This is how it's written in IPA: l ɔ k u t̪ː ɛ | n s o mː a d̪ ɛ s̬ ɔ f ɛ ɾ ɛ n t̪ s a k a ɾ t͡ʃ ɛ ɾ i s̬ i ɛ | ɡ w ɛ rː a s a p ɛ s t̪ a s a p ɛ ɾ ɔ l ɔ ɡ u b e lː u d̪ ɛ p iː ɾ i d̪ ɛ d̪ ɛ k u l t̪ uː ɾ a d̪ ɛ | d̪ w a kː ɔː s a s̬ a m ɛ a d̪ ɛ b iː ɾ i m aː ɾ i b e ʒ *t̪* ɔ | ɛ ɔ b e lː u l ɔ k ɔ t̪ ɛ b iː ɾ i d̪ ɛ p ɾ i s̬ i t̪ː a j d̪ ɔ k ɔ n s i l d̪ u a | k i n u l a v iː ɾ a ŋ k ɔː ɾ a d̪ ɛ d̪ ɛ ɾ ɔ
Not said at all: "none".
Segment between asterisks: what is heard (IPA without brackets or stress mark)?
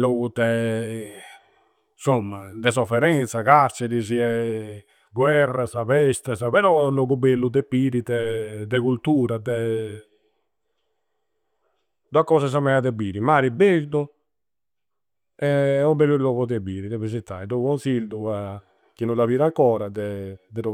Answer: d̪